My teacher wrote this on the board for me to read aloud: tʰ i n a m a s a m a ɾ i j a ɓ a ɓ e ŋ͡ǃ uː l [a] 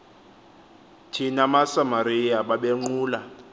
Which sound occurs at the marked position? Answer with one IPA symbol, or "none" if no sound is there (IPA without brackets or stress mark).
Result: a